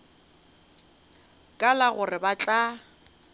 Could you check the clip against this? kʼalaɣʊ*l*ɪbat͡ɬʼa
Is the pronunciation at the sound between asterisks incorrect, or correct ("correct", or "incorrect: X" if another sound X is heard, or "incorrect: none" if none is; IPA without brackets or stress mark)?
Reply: incorrect: r